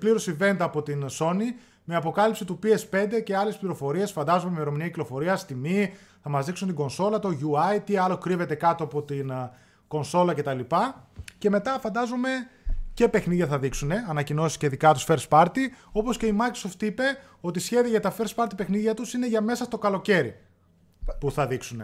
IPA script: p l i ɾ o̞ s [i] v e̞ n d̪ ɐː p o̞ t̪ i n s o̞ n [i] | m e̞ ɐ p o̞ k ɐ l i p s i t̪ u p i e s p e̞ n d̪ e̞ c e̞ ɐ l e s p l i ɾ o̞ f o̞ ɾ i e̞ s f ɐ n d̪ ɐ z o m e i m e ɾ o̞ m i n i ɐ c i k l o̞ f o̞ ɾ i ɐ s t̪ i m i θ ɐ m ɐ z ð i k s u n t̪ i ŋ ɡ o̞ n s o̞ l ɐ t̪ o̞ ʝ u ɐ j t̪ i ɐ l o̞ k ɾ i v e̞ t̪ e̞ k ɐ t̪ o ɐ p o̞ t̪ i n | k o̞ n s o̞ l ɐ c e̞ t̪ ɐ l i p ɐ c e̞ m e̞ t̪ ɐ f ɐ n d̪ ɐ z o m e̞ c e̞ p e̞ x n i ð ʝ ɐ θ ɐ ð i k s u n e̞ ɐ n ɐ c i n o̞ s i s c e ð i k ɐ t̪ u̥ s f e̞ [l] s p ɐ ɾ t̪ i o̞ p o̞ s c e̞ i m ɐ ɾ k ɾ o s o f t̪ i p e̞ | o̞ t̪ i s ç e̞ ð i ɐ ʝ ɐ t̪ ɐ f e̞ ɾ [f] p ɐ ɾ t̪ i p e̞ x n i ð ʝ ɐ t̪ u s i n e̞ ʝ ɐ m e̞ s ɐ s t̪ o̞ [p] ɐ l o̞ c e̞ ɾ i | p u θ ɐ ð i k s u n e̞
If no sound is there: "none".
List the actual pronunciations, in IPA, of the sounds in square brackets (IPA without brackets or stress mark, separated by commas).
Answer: i, i, ɾ, s, k